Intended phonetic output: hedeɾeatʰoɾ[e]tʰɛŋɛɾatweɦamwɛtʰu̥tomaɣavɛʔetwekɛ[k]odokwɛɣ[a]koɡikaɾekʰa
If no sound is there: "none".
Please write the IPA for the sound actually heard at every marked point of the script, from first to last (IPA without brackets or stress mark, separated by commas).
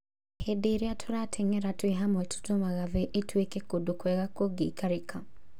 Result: a, k, a